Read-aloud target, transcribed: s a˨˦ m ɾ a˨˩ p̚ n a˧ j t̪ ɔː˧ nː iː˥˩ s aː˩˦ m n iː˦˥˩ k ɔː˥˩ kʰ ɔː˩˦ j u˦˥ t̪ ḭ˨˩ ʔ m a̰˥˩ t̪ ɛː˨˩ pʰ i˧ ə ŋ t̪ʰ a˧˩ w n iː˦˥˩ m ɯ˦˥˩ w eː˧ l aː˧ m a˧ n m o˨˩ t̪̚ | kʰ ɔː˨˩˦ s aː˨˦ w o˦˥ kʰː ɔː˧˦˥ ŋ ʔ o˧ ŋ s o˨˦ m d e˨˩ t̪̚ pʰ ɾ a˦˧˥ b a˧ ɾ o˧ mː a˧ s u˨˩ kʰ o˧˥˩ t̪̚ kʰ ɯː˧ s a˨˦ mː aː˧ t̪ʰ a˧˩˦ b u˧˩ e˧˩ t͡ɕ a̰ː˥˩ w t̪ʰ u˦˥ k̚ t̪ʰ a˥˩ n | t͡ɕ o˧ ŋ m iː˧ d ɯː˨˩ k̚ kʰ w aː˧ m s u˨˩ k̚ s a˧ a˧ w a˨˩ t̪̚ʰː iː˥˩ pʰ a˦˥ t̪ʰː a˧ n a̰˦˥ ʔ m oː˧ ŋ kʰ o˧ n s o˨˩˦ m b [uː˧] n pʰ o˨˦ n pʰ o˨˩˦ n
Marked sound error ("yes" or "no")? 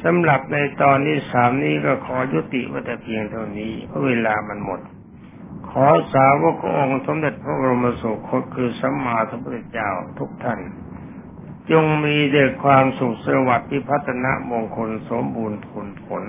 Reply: no